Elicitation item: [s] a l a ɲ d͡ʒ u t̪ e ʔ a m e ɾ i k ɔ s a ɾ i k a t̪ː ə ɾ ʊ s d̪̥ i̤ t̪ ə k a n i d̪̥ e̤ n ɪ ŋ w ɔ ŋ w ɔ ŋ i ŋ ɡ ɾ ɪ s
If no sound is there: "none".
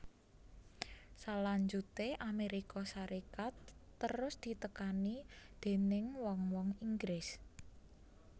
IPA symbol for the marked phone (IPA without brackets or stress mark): s